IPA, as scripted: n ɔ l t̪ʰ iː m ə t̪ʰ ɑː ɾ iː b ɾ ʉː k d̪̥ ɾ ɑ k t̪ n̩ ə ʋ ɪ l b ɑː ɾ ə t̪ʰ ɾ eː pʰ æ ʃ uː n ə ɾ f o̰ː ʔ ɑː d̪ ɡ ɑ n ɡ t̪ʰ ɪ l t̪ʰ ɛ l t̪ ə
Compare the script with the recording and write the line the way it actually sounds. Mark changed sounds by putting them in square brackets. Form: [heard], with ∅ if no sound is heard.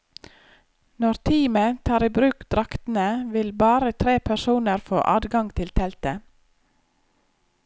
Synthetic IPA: n ɔ [ɾ] t̪ʰ iː m ə t̪ʰ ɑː ɾ iː b ɾ ʉː k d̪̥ ɾ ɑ k t̪ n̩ ə ʋ ɪ l b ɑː ɾ ə t̪ʰ ɾ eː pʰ æ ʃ uː n ə ɾ f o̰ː ʔ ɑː d̪ ɡ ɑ [ŋ] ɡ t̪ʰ ɪ l t̪ʰ ɛ l t̪ ə